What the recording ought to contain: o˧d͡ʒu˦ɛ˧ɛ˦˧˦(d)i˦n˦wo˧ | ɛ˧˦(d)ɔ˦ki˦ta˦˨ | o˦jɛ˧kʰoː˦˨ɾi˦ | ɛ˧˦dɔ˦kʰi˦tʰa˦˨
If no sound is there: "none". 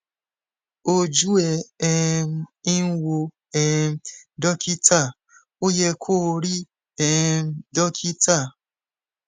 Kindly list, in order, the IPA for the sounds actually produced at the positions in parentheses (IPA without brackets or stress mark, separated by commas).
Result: none, d